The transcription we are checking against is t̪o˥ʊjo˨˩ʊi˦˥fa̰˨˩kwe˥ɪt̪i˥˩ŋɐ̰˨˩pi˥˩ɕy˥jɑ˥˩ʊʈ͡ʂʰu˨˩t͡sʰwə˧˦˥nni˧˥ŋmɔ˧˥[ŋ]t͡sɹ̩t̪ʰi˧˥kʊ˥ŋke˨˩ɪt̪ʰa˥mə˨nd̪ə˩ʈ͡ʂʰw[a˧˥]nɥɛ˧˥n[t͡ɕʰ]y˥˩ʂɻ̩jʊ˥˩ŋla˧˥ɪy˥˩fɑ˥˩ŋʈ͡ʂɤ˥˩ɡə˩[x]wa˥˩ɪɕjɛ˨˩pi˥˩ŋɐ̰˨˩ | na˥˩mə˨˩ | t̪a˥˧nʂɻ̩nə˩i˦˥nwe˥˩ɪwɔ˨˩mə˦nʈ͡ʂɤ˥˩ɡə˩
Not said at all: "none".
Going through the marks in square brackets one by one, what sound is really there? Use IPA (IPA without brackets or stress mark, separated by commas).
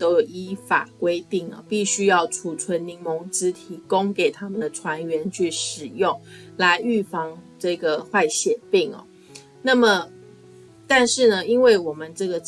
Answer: ŋ, a˧˥, t͡ɕʰ, x